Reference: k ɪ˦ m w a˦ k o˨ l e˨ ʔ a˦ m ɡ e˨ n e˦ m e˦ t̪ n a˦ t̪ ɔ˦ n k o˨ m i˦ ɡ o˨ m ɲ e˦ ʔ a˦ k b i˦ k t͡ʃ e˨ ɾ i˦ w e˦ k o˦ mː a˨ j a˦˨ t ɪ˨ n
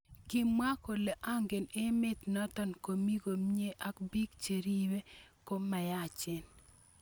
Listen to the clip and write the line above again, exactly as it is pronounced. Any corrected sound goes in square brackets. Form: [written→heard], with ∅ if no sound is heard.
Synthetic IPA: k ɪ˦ m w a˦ k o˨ l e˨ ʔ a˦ [m→ŋ] ɡ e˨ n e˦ m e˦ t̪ n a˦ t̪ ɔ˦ n k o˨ m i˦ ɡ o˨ m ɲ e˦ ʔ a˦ k b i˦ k t͡ʃ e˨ ɾ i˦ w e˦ k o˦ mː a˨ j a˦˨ [t→t͡ʃ] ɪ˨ n